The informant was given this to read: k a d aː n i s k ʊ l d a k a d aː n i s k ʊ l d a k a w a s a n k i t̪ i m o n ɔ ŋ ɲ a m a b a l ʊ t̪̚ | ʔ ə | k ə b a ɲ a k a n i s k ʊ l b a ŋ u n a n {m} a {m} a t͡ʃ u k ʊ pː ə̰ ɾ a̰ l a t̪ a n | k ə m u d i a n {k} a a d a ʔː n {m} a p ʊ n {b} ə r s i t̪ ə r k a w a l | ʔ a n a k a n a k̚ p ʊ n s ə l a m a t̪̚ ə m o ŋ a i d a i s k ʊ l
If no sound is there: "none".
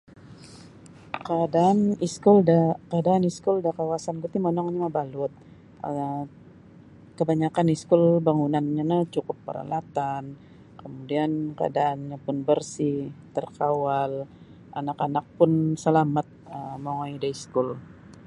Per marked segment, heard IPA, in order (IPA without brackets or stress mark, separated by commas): ɲ, n, k, ɲ, b